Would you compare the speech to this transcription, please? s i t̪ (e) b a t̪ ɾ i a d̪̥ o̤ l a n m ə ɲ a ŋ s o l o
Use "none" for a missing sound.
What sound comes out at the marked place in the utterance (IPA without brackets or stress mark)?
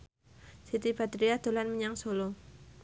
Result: i